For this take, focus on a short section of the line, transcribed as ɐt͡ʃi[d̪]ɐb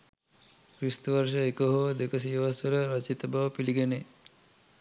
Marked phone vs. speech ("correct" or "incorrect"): incorrect